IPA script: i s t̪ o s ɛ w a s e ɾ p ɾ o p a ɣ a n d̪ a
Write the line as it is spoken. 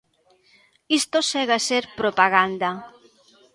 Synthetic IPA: i s t̪ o s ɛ ɣ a s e ɾ p ɾ o p a ɣ a n d̪ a